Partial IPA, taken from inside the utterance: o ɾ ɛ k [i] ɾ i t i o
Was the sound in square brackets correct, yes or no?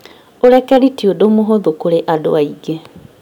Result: no